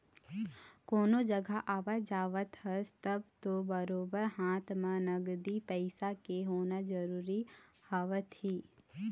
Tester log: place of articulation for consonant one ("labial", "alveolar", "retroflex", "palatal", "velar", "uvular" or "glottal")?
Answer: velar